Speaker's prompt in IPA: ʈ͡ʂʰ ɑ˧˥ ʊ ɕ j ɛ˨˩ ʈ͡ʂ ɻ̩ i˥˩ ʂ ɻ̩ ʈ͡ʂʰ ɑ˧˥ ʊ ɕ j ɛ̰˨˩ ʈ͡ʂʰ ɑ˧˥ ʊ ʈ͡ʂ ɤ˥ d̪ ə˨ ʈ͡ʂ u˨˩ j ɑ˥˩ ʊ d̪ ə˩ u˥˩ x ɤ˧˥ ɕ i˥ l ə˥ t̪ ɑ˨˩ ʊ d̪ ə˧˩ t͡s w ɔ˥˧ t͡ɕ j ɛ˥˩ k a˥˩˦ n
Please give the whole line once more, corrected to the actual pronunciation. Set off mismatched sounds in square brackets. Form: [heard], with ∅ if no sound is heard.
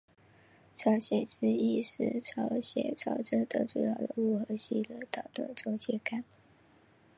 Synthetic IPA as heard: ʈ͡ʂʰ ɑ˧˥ ʊ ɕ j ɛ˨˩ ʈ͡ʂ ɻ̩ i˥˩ ʂ ɻ̩ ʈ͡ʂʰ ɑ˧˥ ʊ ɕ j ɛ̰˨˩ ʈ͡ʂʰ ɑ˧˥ ʊ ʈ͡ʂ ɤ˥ d̪ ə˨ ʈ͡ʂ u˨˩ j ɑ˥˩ ʊ d̪ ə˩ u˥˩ x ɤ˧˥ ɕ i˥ l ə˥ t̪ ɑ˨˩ ʊ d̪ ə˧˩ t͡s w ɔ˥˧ t͡ɕ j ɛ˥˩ k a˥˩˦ n

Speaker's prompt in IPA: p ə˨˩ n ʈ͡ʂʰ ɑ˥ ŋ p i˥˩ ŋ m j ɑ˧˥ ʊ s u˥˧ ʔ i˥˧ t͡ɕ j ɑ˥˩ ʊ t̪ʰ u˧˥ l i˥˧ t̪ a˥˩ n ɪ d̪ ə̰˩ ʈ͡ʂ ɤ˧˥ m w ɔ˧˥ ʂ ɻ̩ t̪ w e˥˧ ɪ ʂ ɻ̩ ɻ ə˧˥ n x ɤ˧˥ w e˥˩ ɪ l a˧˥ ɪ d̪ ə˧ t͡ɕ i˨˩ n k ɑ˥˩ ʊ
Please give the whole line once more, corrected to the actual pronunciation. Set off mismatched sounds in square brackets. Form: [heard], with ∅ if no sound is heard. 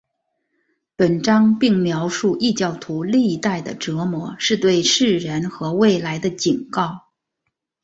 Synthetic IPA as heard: p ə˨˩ n [ʈ͡ʂ] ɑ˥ ŋ p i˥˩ ŋ m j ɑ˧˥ ʊ [ʂ] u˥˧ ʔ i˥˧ t͡ɕ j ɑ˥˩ ʊ t̪ʰ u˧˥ l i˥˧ t̪ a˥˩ [∅] ɪ d̪ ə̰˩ ʈ͡ʂ ɤ˧˥ m w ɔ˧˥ ʂ ɻ̩ t̪ w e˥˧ ɪ ʂ ɻ̩ ɻ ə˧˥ n x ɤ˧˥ w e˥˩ ɪ l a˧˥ ɪ d̪ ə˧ t͡ɕ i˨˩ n k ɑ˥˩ ʊ

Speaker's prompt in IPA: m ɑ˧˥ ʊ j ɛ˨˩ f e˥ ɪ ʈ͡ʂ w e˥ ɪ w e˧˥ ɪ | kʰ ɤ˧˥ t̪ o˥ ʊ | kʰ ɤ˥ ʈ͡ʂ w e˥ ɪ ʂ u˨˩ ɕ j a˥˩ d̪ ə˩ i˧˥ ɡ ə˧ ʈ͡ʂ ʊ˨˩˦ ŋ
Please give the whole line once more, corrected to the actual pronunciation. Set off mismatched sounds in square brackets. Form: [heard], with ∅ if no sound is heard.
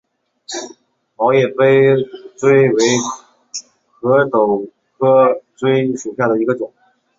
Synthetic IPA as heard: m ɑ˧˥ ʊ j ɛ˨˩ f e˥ ɪ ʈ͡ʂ w e˥ ɪ w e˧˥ ɪ | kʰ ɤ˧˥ t̪ [o˨˩] ʊ | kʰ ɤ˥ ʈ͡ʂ w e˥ ɪ ʂ u˨˩ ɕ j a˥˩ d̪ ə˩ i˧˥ ɡ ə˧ ʈ͡ʂ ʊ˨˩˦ ŋ

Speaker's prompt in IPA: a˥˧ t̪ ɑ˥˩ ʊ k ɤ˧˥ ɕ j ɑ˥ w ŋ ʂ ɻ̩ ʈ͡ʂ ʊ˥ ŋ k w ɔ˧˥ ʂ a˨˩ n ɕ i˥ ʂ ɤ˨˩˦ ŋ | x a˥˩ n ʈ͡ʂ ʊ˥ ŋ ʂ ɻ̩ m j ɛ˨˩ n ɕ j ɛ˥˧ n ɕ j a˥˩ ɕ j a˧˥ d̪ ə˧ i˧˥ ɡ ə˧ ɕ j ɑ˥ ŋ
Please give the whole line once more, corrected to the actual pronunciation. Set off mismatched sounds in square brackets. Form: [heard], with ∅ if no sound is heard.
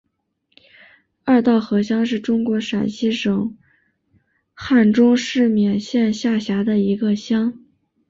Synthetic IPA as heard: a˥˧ t̪ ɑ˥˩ ʊ [x] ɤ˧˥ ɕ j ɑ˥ [∅] ŋ ʂ ɻ̩ ʈ͡ʂ ʊ˥ ŋ k w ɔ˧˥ ʂ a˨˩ n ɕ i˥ ʂ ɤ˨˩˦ ŋ | x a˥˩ n ʈ͡ʂ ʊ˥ ŋ ʂ ɻ̩ m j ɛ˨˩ n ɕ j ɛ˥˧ n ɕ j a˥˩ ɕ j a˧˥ d̪ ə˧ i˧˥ ɡ ə˧ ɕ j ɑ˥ ŋ

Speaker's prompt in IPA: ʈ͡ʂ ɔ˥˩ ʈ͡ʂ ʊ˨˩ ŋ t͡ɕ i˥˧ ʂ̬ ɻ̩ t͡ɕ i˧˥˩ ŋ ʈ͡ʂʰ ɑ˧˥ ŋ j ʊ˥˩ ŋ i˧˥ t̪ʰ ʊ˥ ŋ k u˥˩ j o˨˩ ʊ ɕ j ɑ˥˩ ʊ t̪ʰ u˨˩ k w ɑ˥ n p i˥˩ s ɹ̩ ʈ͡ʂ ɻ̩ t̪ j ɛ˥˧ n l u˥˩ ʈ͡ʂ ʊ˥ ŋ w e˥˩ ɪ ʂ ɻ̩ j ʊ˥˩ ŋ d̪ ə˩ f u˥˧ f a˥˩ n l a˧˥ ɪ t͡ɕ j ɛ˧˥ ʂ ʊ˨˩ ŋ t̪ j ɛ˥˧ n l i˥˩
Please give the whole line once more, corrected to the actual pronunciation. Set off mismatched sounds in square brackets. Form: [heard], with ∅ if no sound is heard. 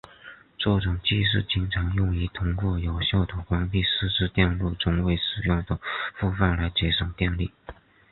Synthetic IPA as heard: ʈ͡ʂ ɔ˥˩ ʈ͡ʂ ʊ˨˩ ŋ t͡ɕ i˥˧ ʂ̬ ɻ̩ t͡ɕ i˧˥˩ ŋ ʈ͡ʂʰ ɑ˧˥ ŋ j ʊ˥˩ ŋ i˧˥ t̪ʰ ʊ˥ ŋ k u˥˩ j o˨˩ ʊ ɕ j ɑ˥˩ ʊ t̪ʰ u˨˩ k w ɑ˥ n p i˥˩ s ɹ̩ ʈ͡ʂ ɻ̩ t̪ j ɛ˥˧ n l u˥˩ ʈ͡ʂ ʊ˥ ŋ w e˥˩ ɪ ʂ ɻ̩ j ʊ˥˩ ŋ d̪ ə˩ f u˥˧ f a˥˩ n l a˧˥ ɪ t͡ɕ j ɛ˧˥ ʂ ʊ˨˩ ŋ t̪ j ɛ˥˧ n l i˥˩

